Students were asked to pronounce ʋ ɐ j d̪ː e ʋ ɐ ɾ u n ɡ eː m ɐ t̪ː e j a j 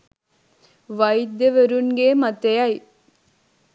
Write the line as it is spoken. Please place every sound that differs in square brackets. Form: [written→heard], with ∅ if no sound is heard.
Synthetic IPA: ʋ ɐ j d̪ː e ʋ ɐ ɾ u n ɡ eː m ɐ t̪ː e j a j